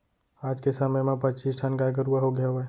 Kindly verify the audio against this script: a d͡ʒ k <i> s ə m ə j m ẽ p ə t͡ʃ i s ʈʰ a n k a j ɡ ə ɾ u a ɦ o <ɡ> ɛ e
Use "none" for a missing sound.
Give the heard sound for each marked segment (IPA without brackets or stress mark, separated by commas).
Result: e, ɡ